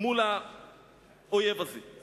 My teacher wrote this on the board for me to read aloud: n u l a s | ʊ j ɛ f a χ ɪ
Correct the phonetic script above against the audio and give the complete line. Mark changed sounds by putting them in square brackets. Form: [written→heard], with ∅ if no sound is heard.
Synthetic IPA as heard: [n→m] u l a [s→∅] | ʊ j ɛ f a [χ→s] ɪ